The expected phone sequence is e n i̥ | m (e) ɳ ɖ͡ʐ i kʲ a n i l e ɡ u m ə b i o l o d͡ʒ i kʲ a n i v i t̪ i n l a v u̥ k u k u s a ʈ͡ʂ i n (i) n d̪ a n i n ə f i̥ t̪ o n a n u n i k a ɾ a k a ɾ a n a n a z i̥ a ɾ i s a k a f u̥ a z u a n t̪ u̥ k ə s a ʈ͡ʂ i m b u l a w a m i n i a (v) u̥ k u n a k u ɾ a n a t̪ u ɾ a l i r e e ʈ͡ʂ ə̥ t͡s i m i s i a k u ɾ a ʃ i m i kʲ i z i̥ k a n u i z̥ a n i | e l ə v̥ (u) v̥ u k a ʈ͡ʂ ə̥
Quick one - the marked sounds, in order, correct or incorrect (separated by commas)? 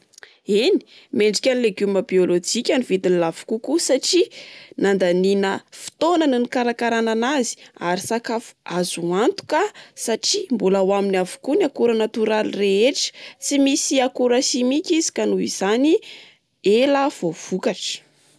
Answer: correct, incorrect, correct, incorrect